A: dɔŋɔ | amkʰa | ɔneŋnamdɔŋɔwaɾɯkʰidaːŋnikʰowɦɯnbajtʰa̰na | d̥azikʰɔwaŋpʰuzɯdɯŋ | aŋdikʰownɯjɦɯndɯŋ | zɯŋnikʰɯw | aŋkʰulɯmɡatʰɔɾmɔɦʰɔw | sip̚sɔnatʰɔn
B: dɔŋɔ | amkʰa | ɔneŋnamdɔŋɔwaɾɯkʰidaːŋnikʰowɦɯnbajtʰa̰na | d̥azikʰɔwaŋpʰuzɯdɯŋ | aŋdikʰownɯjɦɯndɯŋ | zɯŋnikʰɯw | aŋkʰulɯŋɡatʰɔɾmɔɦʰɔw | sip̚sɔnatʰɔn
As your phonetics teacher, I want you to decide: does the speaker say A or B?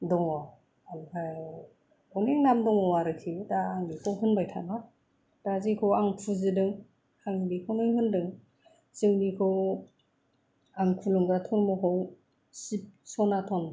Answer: B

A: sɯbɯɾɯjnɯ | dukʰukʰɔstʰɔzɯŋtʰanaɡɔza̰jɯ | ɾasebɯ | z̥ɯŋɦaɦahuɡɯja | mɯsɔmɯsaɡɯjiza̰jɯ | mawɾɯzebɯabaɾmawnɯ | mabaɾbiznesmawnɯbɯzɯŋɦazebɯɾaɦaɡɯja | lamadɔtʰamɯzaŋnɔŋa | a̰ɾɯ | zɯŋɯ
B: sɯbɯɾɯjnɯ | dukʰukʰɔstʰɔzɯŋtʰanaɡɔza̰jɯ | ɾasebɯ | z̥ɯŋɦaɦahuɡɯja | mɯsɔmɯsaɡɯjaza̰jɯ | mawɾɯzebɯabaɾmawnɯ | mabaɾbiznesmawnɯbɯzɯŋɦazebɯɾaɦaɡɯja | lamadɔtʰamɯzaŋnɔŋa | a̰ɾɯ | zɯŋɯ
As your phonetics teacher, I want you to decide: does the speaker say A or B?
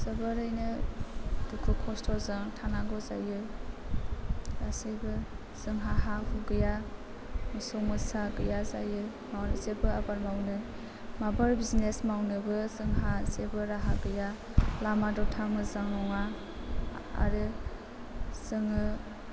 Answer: B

